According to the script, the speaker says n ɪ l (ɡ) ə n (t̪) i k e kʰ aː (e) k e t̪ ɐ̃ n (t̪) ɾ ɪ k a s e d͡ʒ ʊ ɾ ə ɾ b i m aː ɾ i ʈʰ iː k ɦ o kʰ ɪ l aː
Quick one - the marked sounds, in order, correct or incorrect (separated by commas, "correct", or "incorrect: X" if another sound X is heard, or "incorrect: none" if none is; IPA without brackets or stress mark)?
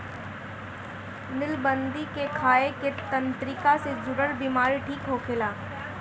incorrect: b, incorrect: d̪, correct, correct